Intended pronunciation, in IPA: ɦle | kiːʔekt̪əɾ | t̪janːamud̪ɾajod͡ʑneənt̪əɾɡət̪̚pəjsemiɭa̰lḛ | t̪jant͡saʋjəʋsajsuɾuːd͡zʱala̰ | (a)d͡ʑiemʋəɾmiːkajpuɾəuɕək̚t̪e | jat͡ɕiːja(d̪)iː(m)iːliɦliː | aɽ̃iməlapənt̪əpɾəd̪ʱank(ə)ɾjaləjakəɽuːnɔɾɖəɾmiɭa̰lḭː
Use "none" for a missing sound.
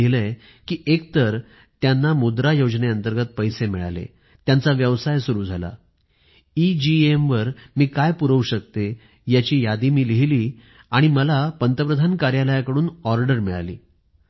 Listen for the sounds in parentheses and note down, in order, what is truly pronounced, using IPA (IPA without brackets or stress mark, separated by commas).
i, d̪, m, a